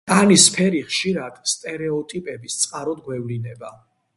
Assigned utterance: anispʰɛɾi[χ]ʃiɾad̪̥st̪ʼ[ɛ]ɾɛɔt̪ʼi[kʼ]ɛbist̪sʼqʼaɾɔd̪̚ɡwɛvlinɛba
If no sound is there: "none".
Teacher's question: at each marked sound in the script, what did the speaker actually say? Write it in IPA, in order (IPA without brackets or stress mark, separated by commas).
χ, ɛ, pʼ